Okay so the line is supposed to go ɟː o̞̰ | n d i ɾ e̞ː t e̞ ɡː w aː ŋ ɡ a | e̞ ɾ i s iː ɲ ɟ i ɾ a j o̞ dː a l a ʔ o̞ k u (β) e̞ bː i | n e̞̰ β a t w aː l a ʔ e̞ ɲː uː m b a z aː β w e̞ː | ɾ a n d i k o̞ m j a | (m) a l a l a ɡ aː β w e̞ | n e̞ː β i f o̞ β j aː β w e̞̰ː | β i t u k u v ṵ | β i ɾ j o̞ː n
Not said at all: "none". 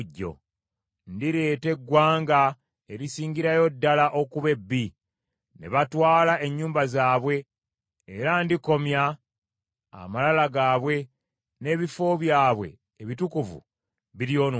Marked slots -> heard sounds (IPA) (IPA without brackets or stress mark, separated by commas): β, m